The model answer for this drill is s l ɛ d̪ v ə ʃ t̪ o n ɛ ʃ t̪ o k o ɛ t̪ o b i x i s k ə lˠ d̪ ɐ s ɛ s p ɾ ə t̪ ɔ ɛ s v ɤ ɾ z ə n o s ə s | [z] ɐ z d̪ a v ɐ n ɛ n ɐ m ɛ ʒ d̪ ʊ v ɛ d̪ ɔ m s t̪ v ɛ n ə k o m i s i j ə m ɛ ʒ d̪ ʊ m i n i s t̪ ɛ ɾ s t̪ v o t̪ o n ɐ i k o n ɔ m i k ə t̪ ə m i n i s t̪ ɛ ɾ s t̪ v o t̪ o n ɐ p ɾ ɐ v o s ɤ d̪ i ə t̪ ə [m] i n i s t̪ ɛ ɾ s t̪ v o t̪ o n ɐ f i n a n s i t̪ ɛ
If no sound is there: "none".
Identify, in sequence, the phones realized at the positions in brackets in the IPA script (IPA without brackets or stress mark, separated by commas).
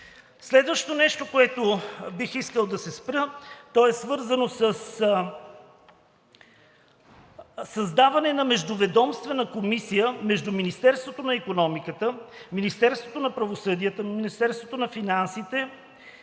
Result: s, m